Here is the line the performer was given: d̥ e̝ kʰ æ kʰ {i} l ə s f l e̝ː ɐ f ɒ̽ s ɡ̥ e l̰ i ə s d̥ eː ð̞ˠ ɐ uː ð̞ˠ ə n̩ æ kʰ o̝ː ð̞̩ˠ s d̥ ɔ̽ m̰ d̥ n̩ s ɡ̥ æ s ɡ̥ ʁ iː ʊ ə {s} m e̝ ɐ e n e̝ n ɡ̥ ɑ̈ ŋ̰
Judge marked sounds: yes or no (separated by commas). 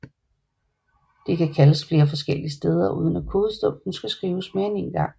no, yes